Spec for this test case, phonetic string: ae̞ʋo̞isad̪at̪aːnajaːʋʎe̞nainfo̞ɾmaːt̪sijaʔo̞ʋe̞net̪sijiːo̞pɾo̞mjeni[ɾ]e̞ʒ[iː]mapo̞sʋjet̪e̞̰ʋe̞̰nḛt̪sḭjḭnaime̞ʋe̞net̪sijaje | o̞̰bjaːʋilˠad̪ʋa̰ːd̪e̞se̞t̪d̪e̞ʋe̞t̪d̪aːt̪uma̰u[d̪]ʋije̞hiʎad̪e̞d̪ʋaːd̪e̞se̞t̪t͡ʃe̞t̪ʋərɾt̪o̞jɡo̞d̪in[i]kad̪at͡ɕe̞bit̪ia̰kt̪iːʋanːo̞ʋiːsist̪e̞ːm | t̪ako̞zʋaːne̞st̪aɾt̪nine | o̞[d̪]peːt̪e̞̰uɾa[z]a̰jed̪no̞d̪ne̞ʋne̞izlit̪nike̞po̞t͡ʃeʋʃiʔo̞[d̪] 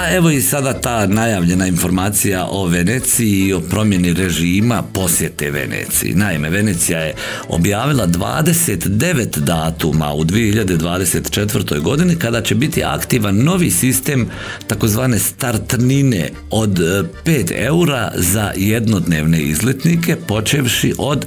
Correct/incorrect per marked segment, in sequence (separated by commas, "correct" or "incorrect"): correct, correct, correct, correct, correct, correct, correct